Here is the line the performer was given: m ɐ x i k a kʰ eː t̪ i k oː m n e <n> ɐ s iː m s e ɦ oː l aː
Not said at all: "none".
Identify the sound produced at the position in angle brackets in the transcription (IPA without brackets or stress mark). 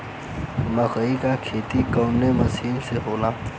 m